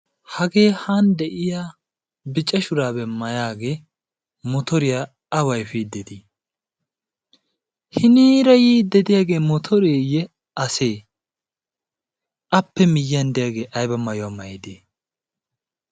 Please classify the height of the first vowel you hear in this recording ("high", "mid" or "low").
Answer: low